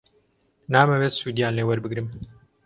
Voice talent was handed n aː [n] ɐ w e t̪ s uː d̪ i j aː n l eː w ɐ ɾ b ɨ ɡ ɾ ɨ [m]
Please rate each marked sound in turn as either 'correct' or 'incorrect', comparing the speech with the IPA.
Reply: incorrect: m, correct

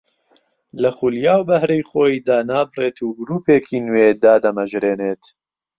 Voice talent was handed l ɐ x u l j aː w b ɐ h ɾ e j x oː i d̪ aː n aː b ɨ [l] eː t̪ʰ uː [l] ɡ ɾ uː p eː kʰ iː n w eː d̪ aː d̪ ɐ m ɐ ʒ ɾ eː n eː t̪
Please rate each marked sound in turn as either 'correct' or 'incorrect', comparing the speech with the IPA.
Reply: incorrect: r, incorrect: none

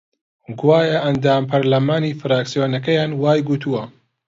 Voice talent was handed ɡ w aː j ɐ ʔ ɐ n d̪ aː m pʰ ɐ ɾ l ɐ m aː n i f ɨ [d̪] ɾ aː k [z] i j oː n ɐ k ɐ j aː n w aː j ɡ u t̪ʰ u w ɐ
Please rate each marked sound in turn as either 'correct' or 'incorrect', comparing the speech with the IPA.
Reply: incorrect: none, incorrect: s

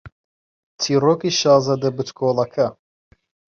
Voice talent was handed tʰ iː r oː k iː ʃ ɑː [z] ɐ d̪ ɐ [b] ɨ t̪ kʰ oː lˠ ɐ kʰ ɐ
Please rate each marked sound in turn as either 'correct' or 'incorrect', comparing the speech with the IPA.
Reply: correct, correct

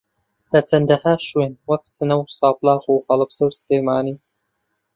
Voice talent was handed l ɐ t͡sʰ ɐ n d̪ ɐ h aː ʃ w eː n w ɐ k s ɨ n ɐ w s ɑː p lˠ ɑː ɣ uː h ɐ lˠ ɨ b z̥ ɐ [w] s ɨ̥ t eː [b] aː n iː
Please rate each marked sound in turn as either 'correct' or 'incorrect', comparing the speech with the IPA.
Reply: correct, incorrect: m

